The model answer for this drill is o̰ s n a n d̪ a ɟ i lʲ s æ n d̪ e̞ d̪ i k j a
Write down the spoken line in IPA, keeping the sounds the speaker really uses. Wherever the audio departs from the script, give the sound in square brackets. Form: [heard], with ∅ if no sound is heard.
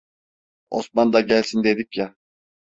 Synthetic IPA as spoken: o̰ s [m] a n d̪ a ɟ [æ] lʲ s [i] n d̪ e̞ d̪ i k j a